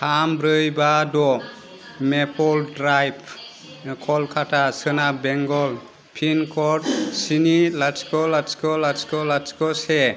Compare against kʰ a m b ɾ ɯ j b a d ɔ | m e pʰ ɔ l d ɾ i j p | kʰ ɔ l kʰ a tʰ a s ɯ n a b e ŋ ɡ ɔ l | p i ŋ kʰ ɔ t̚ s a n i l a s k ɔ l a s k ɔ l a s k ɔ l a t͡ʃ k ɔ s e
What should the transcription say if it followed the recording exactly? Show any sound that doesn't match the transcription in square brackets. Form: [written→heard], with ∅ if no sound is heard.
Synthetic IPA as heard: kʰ a m b ɾ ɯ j b a d ɔ | m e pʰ ɔ l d ɾ [i→a] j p | kʰ ɔ l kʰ a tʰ a s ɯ n a b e ŋ ɡ ɔ l | [p→pʰ] i [ŋ→n] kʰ ɔ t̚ s [a→i] n i l a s k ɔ l a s k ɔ l a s k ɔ l a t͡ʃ k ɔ s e